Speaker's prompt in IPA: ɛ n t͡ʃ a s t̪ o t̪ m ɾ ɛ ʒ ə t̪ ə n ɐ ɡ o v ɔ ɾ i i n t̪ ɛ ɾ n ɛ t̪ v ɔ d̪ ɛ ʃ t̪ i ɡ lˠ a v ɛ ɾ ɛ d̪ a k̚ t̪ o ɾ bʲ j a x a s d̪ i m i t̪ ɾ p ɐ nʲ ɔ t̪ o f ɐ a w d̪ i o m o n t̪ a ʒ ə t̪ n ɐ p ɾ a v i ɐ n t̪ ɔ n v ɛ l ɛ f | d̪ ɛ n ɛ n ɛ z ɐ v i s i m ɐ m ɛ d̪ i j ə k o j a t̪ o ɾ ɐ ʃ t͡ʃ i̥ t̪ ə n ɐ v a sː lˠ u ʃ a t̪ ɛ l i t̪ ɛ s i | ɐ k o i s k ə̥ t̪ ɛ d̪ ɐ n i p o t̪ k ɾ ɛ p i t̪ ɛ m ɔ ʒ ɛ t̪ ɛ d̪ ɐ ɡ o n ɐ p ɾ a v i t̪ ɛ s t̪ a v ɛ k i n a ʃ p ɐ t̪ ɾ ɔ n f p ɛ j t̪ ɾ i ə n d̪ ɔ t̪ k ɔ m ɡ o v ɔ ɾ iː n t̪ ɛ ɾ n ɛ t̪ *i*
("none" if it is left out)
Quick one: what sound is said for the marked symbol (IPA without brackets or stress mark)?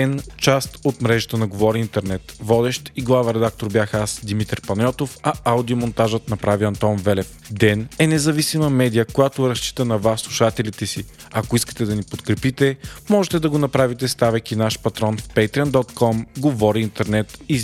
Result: i